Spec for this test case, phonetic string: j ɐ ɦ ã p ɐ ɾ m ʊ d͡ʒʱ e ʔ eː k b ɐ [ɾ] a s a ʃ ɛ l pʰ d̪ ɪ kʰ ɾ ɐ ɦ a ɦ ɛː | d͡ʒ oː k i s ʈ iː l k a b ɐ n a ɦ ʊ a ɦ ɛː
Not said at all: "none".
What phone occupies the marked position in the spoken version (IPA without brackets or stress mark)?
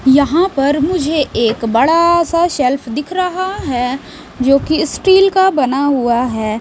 ɽ